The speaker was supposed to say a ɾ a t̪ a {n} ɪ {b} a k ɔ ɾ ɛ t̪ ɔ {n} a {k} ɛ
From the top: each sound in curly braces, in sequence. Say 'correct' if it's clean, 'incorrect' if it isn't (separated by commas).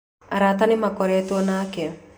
correct, incorrect, correct, correct